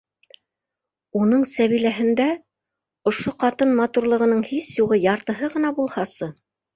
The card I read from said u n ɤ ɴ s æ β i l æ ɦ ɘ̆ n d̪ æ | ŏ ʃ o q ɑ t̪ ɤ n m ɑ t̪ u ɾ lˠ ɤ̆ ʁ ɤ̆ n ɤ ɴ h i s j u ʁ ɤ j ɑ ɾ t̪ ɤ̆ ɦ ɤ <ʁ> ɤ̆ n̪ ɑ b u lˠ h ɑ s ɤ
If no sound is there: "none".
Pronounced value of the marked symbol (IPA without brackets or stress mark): ʁ